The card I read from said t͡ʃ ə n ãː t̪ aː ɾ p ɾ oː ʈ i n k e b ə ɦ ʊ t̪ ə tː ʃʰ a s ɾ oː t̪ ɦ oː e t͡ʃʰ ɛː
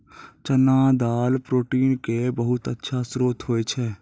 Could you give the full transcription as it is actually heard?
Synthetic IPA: t͡ʃ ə n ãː d̪ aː l p ɾ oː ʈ iː n k e b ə ɦ ʊ t̪ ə tː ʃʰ a s ɾ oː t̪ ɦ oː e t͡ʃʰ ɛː